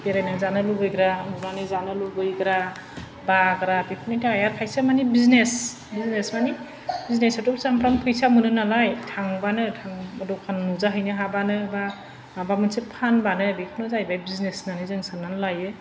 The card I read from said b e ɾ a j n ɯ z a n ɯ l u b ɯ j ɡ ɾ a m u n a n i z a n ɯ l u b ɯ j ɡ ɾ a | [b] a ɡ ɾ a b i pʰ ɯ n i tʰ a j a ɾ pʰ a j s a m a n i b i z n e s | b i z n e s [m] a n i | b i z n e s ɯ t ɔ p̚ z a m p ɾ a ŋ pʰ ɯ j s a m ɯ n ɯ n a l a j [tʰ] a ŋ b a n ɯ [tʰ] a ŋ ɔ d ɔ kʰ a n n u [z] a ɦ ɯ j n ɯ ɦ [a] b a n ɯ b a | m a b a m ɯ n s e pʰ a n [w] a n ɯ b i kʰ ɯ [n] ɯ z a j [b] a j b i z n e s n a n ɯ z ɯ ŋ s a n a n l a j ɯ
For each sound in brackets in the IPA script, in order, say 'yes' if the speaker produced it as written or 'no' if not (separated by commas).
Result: yes, yes, yes, yes, yes, yes, no, yes, yes